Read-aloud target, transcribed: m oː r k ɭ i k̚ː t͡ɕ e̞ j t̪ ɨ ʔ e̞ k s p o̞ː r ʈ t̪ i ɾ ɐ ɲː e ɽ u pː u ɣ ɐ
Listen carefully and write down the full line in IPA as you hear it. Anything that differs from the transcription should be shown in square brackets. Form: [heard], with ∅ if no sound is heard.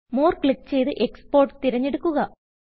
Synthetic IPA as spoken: m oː r k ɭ i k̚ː t͡ɕ e̞ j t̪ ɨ ʔ e̞ k s p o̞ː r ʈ t̪ i ɾ ɐ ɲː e ɽ u [kː] u ɣ ɐ